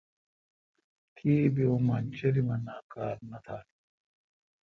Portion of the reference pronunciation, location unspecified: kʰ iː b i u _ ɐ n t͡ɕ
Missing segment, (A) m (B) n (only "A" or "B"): A